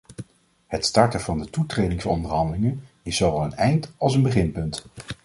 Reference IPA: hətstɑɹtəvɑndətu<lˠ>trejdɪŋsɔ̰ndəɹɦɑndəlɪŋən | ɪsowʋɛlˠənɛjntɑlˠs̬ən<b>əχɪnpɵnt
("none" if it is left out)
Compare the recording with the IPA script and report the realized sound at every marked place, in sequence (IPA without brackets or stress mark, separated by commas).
none, b